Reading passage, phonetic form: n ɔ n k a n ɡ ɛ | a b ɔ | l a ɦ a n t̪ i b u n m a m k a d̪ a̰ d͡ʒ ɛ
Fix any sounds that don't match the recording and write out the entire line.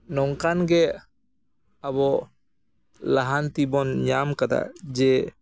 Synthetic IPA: n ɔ ŋ k a n ɡ ɛ | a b ɔ | l a ɦ a n t̪ i b ɔ n ɲ a m k a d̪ a̰ d͡ʒ ɛ